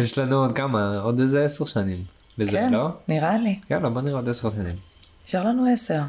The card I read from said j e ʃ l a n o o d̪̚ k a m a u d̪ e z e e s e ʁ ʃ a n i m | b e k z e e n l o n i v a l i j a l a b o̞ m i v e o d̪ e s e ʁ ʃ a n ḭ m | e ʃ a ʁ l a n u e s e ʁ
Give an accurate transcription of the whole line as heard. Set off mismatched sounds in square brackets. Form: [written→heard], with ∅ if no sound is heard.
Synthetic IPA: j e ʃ l a n [o→u] o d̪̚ k a m a [u→o] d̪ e z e e s e ʁ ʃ a n i m | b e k z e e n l o n i [v→ʁ] a l i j a l a b o̞ [m→n] i [v→ʁ] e o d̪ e s e ʁ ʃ a n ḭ m | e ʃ a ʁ l a n u e s e ʁ